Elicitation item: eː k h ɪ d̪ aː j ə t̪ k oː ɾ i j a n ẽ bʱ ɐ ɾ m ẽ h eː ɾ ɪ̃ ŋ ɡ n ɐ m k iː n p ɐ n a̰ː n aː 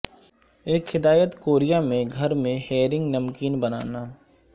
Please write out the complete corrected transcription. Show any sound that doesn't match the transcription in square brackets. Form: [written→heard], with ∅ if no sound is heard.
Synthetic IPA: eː k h ɪ d̪ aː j ə t̪ k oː ɾ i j a [n→m] ẽ [bʱ→ɡʱ] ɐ ɾ m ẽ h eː ɾ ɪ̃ ŋ ɡ n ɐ m k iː n [p→b] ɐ n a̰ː n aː